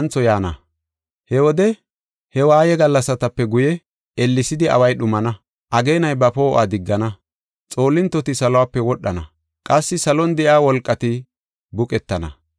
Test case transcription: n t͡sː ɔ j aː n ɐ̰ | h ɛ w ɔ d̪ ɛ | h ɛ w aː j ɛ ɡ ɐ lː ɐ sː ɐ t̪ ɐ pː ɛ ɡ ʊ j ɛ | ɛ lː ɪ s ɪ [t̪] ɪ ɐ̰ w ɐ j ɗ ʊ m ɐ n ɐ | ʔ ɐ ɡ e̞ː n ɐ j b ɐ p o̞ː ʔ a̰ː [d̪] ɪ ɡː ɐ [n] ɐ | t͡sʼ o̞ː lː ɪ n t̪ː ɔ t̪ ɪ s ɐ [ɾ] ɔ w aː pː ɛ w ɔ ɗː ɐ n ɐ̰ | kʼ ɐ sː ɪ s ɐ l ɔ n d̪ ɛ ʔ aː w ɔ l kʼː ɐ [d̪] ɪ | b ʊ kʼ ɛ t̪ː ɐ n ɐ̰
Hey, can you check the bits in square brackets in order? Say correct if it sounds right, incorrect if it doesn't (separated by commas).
incorrect, correct, correct, incorrect, incorrect